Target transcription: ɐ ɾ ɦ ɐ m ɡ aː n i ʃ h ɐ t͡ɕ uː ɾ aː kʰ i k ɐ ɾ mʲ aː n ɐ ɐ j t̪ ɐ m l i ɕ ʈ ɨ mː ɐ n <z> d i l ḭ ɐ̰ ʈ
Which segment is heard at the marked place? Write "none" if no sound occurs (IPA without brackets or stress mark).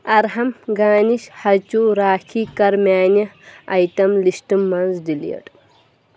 z